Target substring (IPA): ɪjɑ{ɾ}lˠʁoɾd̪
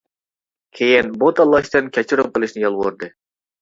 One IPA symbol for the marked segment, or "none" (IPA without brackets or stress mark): none